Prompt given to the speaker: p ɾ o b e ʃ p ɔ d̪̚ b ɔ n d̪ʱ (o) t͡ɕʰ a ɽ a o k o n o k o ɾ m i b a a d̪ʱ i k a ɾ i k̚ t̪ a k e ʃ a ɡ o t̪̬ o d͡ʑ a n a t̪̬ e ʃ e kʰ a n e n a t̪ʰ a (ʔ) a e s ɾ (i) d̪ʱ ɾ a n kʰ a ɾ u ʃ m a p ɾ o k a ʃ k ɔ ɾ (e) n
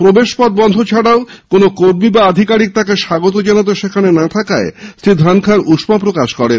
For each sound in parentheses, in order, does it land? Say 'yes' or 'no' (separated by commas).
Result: yes, no, yes, yes